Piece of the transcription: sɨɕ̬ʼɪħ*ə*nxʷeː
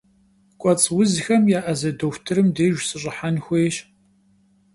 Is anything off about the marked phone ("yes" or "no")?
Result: yes